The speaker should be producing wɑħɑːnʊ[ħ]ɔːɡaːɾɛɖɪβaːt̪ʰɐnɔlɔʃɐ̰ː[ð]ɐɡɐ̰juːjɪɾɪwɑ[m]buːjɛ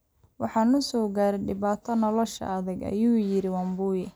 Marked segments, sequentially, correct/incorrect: incorrect, correct, correct

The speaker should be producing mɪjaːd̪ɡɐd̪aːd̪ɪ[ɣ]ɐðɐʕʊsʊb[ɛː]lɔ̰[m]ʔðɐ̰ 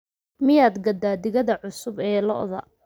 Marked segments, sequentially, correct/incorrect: correct, correct, incorrect

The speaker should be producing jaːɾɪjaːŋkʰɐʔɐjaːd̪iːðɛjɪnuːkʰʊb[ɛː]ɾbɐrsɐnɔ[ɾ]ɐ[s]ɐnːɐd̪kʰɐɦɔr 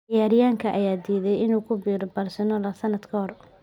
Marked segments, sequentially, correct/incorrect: incorrect, incorrect, correct

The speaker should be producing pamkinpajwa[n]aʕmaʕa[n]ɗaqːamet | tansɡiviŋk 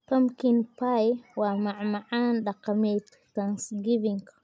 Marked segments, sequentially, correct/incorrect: incorrect, correct

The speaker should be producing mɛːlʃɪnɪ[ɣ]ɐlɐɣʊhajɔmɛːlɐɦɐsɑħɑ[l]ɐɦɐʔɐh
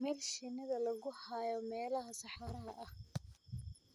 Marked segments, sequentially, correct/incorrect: incorrect, incorrect

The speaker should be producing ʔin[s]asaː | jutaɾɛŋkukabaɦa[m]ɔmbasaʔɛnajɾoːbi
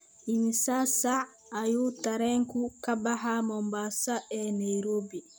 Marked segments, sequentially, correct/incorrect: correct, correct

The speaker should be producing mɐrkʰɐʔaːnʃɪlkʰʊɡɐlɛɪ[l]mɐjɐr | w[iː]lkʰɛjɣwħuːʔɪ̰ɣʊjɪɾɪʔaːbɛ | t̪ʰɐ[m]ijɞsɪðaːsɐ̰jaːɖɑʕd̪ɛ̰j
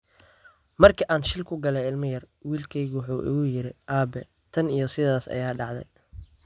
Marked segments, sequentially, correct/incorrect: correct, correct, incorrect

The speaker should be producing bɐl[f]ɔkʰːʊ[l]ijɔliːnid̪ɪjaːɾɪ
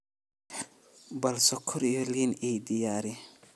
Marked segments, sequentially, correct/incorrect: incorrect, incorrect

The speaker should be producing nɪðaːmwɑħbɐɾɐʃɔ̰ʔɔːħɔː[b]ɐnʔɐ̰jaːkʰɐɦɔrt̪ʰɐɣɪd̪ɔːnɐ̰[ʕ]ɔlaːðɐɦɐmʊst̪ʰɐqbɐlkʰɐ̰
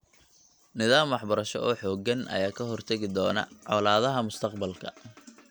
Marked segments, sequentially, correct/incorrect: incorrect, correct

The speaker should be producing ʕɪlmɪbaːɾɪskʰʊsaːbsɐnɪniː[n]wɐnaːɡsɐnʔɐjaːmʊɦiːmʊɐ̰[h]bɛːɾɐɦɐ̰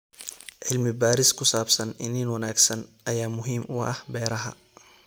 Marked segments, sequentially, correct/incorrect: correct, correct

